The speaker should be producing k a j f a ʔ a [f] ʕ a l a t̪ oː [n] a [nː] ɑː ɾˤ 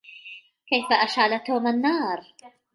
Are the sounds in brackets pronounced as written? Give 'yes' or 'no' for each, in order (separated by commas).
no, no, yes